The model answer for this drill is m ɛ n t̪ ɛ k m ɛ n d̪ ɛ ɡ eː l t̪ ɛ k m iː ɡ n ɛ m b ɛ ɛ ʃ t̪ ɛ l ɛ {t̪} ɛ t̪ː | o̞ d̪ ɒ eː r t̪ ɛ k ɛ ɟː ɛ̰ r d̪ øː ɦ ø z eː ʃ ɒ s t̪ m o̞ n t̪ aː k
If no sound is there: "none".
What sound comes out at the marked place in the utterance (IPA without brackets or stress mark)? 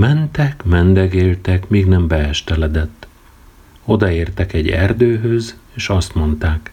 d̪